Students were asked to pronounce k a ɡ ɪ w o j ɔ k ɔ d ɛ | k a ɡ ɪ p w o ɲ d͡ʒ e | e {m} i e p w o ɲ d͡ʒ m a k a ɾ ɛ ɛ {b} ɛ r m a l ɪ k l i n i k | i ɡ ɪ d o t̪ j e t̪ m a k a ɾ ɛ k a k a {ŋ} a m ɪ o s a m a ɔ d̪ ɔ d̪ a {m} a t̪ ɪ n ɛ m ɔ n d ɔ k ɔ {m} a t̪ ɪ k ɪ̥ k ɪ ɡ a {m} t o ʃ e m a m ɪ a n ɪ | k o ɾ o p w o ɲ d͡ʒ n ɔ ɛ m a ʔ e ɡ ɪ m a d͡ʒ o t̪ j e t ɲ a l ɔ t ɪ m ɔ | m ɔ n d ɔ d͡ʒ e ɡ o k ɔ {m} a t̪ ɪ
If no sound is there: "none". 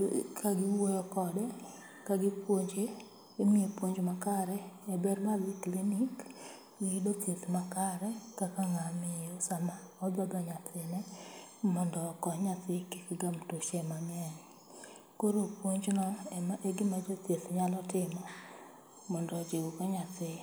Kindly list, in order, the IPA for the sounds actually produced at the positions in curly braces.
m, b, ŋ, ɲ, ɲ, m, ɲ

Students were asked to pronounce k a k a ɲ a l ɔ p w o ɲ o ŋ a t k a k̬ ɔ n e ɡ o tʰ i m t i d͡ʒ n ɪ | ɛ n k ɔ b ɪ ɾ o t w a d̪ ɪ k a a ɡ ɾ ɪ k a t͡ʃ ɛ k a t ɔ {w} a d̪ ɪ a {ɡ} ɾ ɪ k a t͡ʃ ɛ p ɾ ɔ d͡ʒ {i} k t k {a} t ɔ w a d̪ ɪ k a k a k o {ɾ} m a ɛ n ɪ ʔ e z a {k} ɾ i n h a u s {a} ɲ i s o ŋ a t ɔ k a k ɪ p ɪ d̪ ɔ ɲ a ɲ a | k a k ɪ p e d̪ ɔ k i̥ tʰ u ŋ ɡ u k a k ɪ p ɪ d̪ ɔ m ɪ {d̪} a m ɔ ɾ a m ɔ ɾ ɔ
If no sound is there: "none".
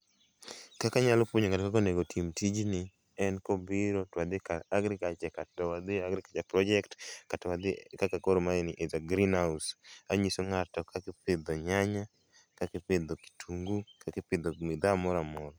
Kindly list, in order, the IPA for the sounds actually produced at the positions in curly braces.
w, ɡ, ɛ, a, ɾ, ɡ, a, d̪

